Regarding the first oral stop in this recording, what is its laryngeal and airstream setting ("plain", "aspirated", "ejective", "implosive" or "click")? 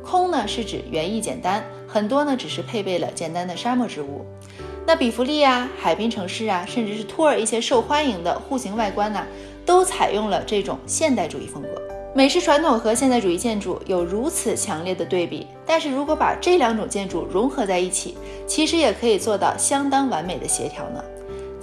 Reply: aspirated